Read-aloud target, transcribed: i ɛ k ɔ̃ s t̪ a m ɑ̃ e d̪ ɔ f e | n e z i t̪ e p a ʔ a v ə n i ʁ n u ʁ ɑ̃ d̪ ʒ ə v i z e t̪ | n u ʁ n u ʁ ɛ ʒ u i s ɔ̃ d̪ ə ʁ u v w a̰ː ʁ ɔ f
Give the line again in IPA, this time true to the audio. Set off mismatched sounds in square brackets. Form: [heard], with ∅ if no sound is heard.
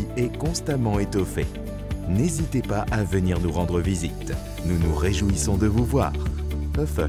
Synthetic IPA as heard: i ɛ k ɔ̃ s t̪ a m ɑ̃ e [t̪] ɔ f e | n e z i t̪ e p a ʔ a v ə n i ʁ n u ʁ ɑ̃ d̪ [ʁ] ə v i z [i] t̪ | n u [∅] n u ʁ [e] ʒ u i s ɔ̃ d̪ ə [v] u v w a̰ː ʁ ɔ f

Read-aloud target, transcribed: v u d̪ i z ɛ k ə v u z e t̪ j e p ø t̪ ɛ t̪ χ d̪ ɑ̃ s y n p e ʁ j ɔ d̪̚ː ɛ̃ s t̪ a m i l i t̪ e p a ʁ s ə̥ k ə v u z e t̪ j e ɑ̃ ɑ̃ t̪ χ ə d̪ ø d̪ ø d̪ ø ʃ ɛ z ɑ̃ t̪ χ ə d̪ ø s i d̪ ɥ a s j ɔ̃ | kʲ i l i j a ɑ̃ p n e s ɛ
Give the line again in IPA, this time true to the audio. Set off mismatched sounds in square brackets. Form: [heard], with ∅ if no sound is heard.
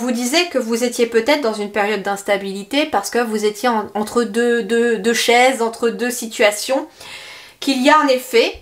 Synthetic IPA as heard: v u d̪ i z ɛ k ə v u z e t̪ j e p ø t̪ ɛ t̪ χ d̪ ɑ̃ [z] y n p e ʁ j ɔ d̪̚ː ɛ̃ s t̪ a [b] i l i t̪ e p a ʁ s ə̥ k ə v u z e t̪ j e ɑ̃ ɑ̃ t̪ χ ə d̪ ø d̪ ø d̪ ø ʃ ɛ z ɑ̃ t̪ χ ə d̪ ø s i [t̪] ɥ a s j ɔ̃ | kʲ i l i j a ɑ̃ [∅] n e [f] ɛ

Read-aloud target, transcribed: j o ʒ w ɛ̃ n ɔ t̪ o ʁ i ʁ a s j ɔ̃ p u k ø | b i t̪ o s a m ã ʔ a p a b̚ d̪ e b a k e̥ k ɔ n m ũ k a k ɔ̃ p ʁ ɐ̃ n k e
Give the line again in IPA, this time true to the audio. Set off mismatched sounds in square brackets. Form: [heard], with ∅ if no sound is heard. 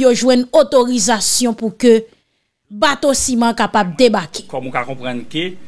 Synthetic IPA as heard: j o ʒ w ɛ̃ n [o] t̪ o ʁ i [z] a s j ɔ̃ p u k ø | b [a] t̪ o s [i] m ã [k] a p a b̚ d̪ e b a k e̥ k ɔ [∅] m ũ k a k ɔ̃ p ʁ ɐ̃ n k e

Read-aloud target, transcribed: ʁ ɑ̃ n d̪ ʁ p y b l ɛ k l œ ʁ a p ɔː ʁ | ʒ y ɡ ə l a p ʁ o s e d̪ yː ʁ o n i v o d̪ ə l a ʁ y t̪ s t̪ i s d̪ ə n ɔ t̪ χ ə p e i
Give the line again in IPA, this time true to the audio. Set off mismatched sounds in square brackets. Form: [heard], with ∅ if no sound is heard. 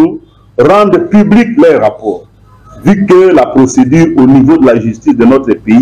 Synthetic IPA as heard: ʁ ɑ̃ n d̪ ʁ p y b l [i] k l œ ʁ a p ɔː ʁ | [v] y [k] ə l a p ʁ o s e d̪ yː ʁ o n i v o d̪ ə l a [ʒ] y [∅] s t̪ i s d̪ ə n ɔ t̪ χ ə p e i

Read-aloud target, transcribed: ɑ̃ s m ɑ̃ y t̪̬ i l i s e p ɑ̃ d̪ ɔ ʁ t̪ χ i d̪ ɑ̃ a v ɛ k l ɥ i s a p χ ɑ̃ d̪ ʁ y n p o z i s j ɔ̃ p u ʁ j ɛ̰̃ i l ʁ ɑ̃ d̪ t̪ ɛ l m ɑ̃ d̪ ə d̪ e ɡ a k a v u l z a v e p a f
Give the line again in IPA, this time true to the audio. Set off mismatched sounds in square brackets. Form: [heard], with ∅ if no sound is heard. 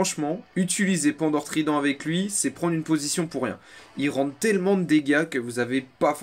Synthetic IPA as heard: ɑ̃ [ʃ] m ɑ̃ y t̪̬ i l i [z] e p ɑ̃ d̪ ɔ ʁ t̪ χ i d̪ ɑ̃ a v ɛ k l ɥ i s [ɛ] p χ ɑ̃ d̪ ʁ y n p o z i s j ɔ̃ p u ʁ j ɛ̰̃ i l ʁ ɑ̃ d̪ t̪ ɛ l m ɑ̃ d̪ ə d̪ e ɡ a k [ə] v u [∅] z a v e p a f

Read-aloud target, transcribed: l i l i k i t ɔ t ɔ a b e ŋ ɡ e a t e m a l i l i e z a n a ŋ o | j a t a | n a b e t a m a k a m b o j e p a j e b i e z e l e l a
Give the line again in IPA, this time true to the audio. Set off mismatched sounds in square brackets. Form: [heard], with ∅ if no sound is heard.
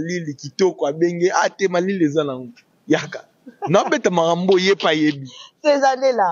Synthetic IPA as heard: l i l i k i t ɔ [k] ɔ a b e ŋ ɡ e a t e m a l i l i e z a n a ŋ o | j a [k] a | n a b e t a m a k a m b o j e p a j e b i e z [a] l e l a

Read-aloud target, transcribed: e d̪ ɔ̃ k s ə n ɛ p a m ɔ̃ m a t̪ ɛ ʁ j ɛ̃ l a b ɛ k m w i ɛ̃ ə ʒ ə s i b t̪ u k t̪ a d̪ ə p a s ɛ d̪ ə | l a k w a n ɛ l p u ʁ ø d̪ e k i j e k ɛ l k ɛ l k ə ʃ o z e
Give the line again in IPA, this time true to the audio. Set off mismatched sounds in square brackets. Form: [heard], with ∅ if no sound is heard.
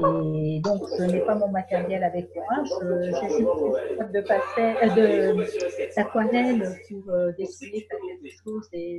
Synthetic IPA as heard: e d̪ ɔ̃ k s ə n ɛ p a m ɔ̃ m a t̪ ɛ ʁ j [ɛ] l a [v] ɛ k m w [a] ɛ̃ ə ʒ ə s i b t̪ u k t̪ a d̪ ə p a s ɛ d̪ ə | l a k w a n ɛ l p u ʁ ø d̪ e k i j e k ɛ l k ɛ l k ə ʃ o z e

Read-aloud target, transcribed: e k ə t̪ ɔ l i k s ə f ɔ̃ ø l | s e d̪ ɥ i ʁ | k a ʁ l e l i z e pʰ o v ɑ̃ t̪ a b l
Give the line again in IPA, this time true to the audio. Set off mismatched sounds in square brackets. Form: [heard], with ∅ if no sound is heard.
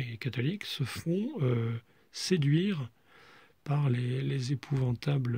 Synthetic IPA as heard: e k [a] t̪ ɔ l i k s ə f ɔ̃ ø [∅] | s e d̪ ɥ i ʁ | [p] a ʁ l e l [e] z e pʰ [u] v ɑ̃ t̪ a b l

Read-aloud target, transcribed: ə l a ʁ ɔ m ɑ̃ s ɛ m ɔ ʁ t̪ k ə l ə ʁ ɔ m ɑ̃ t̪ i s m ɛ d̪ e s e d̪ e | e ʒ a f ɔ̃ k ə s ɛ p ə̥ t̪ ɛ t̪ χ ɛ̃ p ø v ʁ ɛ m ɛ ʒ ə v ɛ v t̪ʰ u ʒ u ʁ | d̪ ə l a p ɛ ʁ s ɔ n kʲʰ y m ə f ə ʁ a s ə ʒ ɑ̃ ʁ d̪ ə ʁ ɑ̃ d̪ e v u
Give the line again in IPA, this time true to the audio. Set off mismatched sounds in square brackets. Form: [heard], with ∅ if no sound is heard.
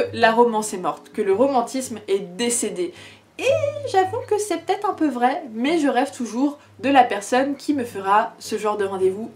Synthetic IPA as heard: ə l a ʁ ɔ m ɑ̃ s ɛ m ɔ ʁ t̪ k ə l ə ʁ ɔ m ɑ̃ t̪ i s m ɛ d̪ e s e d̪ e | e ʒ a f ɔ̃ k ə s ɛ p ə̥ t̪ ɛ t̪ χ ɛ̃ p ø v ʁ ɛ m ɛ ʒ ə [ʁ] ɛ v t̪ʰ u ʒ u ʁ | d̪ ə l a p ɛ ʁ s ɔ n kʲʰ [i] m ə f ə ʁ a s ə ʒ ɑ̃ ʁ d̪ ə ʁ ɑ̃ d̪ e v u

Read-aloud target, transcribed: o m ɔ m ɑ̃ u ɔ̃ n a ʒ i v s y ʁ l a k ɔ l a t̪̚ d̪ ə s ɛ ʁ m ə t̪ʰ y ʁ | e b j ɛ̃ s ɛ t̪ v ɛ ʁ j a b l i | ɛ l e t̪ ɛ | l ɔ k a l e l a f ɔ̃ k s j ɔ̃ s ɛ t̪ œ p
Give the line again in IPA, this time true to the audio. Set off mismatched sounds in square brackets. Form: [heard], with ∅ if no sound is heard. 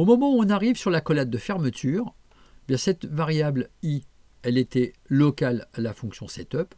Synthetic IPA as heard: o m ɔ m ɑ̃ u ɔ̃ n a [ʁ] i v s y ʁ l a k ɔ l a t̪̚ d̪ ə [f] ɛ ʁ m ə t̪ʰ y ʁ | e b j ɛ̃ s ɛ t̪ v [a] ʁ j a b l i | ɛ l e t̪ ɛ | l ɔ k a l [a] l a f ɔ̃ k s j ɔ̃ s ɛ t̪ œ p

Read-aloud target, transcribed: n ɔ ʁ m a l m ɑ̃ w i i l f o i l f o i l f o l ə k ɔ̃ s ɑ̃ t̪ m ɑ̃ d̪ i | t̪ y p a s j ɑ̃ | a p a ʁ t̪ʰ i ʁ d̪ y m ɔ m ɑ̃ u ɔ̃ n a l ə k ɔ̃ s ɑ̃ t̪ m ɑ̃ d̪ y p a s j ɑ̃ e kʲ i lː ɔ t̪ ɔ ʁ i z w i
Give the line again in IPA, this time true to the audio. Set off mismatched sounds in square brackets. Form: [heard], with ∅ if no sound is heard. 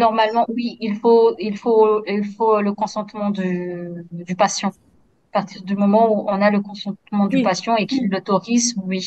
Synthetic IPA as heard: n ɔ ʁ m a l m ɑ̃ w i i l f o i l f o i l f o l ə k ɔ̃ s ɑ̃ t̪ m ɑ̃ d̪ [y] | [d̪] y p a s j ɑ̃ | a p a ʁ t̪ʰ i ʁ d̪ y m ɔ m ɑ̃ u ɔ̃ n a l ə k ɔ̃ s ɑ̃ t̪ m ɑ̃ d̪ y p a s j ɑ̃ e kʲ i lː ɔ t̪ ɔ ʁ i z w i

